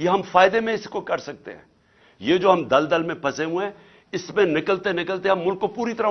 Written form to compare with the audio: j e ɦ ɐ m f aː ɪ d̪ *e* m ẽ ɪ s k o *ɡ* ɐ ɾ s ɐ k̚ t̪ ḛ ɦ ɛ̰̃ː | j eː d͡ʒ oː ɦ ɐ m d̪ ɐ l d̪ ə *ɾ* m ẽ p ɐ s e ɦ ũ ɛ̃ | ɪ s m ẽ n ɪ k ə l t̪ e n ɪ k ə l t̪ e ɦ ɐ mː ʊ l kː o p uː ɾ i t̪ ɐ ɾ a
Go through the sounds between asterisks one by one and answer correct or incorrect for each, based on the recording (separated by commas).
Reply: correct, incorrect, incorrect